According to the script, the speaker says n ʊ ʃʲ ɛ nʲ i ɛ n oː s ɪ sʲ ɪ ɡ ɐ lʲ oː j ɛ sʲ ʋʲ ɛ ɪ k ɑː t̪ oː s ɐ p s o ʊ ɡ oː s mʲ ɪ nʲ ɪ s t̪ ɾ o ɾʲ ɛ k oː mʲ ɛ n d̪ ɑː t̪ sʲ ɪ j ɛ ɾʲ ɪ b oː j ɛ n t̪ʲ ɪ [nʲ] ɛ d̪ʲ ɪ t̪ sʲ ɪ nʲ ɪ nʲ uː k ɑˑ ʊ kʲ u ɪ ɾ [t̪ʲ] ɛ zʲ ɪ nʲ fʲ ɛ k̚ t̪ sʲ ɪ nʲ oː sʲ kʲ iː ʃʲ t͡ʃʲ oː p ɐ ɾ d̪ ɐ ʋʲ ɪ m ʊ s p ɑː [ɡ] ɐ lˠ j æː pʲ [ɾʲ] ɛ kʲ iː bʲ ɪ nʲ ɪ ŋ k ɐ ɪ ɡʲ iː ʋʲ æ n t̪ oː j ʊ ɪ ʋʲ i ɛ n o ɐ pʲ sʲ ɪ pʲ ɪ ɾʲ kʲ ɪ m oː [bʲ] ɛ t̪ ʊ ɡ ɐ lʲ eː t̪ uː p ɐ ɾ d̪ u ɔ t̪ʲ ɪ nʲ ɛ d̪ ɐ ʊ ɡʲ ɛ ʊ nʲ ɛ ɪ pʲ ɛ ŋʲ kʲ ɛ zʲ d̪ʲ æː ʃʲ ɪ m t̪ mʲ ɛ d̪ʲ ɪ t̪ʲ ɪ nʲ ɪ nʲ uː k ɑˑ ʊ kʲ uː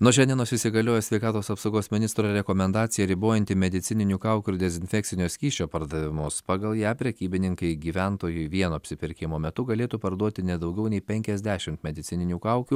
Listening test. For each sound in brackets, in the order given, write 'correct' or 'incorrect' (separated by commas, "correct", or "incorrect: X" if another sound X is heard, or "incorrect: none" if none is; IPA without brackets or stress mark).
incorrect: mʲ, incorrect: d̪ʲ, correct, correct, incorrect: mʲ